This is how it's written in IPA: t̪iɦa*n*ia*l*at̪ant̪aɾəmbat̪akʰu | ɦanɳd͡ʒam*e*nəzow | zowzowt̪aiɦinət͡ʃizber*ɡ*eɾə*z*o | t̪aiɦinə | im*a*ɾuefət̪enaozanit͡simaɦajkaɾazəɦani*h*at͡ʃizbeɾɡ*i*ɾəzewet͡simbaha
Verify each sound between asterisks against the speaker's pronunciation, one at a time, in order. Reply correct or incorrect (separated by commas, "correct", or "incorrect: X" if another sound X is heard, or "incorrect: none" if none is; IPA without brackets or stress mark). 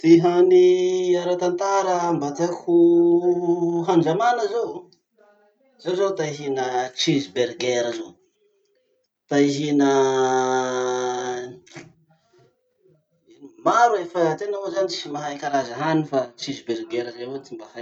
correct, incorrect: ɾ, incorrect: a, correct, correct, correct, incorrect: f, incorrect: e